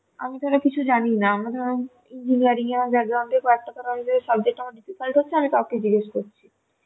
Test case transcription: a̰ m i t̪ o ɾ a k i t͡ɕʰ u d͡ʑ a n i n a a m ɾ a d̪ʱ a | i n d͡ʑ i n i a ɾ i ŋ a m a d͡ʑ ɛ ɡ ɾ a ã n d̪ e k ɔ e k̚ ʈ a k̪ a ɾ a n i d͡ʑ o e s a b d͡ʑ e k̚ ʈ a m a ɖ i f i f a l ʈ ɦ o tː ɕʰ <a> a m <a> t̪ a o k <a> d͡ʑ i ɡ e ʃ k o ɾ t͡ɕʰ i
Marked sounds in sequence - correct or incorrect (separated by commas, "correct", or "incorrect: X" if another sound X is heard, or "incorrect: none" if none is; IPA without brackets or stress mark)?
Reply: incorrect: e, incorrect: i, incorrect: e